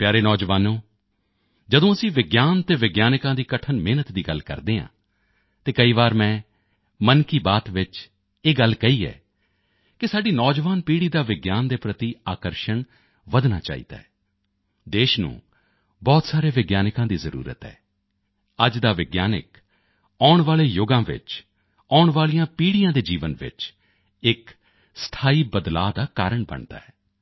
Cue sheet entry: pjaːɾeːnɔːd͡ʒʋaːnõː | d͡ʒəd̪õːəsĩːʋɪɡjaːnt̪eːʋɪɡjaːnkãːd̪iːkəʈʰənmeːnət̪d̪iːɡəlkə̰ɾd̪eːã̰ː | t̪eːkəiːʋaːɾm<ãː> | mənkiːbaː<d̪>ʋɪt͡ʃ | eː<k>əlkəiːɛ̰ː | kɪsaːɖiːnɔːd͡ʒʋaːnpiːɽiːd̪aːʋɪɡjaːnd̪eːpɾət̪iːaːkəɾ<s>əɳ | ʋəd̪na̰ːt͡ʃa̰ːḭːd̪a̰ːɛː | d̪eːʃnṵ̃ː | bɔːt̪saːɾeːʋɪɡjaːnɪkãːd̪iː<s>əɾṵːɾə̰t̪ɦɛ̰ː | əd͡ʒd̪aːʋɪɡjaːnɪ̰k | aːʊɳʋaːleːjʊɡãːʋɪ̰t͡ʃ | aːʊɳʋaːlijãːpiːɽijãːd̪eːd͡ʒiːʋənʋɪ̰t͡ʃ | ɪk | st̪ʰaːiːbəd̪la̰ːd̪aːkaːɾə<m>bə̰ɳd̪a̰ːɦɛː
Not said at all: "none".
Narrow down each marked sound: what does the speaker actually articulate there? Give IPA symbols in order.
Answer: ɛ̃ː, t̪, ɡ, ʃ, z, ɳ

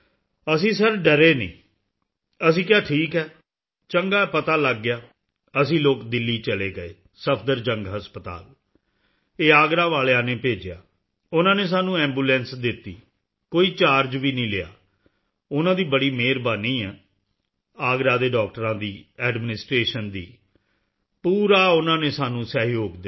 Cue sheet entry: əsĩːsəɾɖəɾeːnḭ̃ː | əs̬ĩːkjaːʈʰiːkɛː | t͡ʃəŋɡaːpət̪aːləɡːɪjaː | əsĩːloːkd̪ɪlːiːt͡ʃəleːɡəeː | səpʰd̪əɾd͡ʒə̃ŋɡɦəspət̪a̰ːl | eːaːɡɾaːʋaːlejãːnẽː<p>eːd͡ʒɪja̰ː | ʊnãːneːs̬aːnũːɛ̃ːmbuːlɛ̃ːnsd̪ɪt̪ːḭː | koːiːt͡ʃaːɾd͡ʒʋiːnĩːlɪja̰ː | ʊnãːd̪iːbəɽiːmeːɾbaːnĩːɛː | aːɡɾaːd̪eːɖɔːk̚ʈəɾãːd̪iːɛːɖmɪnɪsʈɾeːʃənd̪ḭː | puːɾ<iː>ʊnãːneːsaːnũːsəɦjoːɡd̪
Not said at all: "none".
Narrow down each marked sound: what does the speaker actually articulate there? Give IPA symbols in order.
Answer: p, aː

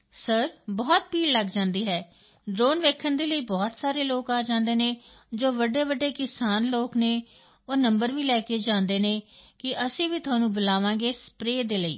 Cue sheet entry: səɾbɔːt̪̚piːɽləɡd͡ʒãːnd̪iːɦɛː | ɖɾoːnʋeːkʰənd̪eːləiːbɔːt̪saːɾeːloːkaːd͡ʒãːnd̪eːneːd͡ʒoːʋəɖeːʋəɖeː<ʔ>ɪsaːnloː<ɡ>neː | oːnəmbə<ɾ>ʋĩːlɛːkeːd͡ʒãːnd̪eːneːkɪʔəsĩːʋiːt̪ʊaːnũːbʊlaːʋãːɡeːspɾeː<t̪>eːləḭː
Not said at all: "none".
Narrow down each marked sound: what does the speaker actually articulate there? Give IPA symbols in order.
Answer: k, k, ɾ, d̪

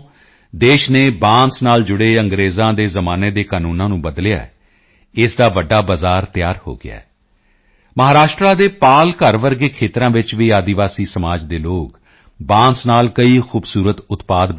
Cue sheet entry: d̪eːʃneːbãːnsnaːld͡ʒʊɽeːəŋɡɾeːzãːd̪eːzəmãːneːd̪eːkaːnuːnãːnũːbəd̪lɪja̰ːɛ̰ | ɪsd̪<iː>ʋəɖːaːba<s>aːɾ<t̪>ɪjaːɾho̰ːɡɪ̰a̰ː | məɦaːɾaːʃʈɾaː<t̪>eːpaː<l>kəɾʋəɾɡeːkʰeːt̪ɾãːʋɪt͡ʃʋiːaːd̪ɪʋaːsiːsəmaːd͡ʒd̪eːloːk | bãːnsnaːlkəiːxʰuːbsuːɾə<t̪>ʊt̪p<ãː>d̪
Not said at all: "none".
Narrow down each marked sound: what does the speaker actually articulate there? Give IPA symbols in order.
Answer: aː, z, t̪, d̪, l, t̪, aː

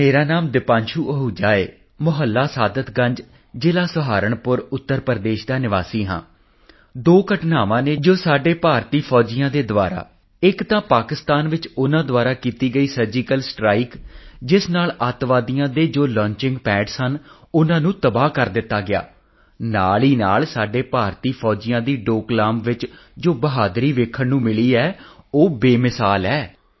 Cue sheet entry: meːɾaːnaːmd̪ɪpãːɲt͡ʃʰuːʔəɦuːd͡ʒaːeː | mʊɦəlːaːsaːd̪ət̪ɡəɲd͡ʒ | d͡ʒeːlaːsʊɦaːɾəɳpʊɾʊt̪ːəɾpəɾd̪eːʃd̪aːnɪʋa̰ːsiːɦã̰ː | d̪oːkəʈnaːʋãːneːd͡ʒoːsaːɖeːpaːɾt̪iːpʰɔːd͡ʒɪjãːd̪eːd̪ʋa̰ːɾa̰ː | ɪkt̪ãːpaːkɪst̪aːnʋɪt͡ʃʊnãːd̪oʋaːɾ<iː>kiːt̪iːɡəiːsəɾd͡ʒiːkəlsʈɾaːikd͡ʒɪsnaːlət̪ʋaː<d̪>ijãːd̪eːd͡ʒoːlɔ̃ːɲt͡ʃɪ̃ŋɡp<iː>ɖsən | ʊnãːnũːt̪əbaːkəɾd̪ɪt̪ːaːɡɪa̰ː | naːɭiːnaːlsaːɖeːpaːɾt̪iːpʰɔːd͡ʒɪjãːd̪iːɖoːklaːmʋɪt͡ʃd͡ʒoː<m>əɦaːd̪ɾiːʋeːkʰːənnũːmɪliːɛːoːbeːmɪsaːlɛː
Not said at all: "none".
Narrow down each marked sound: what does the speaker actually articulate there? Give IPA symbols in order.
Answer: aː, d̪, ɛː, b

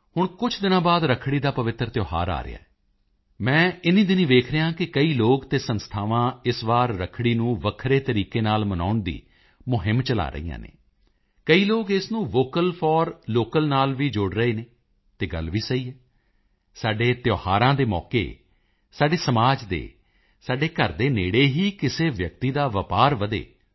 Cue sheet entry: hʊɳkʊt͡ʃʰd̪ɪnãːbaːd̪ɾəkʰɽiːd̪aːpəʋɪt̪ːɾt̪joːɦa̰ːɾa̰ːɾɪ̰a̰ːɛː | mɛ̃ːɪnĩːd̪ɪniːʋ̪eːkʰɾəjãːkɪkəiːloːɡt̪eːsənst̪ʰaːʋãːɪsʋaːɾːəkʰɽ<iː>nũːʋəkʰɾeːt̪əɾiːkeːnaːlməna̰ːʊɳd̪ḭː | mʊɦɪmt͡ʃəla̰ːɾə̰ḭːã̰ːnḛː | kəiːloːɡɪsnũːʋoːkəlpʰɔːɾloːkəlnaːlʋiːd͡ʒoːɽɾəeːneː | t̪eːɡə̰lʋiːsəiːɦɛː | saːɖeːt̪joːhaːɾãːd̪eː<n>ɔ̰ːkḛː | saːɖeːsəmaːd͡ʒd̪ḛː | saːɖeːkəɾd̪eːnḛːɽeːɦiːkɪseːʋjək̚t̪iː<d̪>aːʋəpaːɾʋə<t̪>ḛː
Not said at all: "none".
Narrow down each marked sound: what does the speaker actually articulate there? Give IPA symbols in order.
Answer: iː, m, d̪, d̪

